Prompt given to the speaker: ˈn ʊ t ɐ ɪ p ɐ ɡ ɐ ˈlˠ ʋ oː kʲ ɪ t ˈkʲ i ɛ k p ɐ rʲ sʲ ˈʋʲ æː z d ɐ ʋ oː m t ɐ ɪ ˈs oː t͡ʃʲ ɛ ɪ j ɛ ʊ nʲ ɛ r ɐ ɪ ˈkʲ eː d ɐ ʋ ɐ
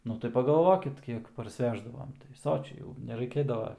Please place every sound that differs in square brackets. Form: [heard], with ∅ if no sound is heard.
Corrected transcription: ˈn ʊ t ɐ ɪ p ɐ ɡ ɐ ˈlˠ ʋ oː kʲ ɪ t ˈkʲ i ɛ k p ɐ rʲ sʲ ˈʋʲ æː [ʒ] d ɐ ʋ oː m t ɐ ɪ ˈs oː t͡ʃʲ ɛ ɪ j ɛ ʊ nʲ ɛ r ɐ ɪ ˈkʲ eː d ɐ ʋ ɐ